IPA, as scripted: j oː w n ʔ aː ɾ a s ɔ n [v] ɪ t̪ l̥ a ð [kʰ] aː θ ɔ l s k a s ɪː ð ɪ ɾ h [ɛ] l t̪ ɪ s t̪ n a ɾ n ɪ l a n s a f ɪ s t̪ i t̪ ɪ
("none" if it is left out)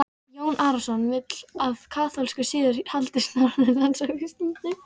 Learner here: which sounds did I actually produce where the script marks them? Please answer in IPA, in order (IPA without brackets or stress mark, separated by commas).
v, kʰ, a